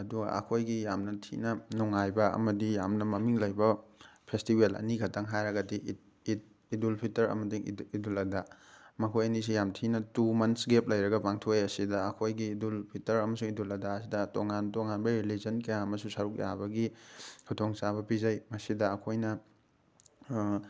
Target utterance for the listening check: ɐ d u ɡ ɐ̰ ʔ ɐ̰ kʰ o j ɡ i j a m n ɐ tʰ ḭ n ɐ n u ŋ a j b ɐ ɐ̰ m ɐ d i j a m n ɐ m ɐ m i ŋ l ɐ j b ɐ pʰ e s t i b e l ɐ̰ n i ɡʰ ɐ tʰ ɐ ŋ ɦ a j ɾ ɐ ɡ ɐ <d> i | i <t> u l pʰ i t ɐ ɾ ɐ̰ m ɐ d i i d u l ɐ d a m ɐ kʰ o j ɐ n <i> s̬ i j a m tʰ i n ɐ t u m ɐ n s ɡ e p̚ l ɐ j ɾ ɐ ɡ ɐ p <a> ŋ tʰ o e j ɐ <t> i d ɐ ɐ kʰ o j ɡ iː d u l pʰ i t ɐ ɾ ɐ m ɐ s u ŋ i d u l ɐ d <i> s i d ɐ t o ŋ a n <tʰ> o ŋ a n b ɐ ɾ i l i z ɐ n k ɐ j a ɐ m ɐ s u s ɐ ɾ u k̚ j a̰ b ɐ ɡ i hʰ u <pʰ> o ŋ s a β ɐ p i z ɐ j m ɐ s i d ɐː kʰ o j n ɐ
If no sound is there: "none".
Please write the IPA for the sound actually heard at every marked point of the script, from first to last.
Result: d, d, i, a, s, a, t, tʰ

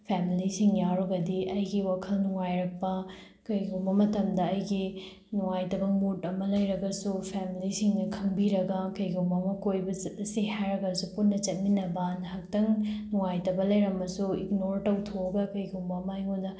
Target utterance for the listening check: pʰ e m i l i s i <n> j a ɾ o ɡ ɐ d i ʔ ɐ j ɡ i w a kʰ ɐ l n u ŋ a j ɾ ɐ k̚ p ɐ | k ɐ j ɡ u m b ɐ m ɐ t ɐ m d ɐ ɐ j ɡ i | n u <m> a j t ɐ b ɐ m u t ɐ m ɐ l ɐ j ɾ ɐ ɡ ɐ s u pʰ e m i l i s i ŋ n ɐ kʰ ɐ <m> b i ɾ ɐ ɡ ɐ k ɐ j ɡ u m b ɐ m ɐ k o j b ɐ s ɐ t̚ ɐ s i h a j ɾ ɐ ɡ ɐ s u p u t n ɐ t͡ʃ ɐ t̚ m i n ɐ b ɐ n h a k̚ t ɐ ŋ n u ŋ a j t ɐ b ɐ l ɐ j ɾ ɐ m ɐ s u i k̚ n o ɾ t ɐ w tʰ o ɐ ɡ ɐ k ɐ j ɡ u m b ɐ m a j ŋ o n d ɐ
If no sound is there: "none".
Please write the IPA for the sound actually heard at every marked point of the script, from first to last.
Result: ŋ, ŋ, ŋ

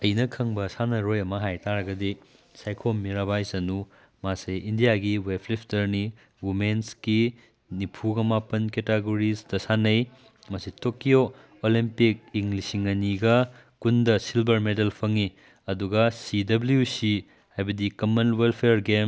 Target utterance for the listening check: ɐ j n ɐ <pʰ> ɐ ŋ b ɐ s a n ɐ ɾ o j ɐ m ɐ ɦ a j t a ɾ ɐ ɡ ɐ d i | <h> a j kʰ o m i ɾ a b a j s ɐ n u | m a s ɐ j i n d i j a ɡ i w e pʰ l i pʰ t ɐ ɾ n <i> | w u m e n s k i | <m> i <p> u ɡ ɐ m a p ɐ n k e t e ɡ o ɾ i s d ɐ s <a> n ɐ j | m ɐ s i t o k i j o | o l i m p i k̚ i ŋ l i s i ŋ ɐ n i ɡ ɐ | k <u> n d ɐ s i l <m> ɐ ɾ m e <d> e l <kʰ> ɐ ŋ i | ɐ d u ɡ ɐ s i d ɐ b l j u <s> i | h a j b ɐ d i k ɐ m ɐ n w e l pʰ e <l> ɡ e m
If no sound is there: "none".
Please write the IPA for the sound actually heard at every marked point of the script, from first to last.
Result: kʰ, s, i, n, pʰ, a, u, b, d, pʰ, s, ɾ

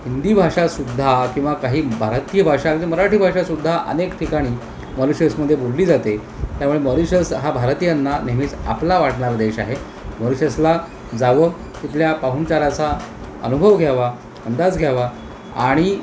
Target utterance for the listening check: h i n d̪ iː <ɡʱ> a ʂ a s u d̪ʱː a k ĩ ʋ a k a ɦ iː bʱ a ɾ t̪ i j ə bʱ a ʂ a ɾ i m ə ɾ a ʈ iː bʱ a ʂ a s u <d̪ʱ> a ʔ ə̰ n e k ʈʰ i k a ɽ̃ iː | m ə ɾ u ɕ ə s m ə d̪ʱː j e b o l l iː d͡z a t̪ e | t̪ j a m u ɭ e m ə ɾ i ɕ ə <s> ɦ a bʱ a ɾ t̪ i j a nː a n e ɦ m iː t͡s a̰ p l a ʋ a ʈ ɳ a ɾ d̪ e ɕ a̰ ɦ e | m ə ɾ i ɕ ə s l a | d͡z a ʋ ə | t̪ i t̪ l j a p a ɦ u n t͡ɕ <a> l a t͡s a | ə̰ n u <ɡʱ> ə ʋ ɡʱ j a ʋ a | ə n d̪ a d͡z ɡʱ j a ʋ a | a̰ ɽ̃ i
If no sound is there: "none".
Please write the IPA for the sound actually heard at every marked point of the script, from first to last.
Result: bʱ, d̪ʱː, s, a, bʱ

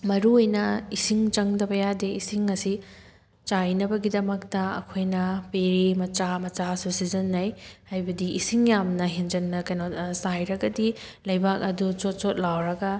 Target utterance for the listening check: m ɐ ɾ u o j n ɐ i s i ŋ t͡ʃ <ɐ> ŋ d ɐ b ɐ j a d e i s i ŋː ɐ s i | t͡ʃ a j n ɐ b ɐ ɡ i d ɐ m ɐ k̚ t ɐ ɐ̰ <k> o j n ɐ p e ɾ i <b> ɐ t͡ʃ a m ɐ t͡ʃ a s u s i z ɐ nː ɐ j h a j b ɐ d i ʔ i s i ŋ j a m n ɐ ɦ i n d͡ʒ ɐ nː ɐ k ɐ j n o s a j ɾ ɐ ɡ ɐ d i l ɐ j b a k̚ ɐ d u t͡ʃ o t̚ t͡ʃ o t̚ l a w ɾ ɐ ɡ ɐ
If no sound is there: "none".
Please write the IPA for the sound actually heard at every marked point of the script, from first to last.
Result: ɐ, kʰ, m

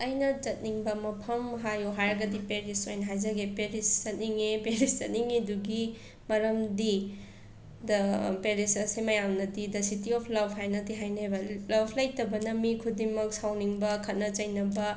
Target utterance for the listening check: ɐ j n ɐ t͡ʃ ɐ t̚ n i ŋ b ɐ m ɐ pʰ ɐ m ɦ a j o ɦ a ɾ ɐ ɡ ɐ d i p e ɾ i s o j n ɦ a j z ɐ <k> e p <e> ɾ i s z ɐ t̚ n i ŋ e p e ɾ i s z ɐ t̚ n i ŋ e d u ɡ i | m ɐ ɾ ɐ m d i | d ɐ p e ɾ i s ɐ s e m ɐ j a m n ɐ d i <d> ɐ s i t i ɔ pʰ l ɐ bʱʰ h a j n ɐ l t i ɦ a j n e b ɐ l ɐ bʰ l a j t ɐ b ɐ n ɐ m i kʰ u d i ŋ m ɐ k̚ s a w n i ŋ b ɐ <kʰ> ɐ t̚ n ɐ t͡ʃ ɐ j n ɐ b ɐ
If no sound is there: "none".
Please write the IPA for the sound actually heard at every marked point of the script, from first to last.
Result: ɡ, e, d, kʰ

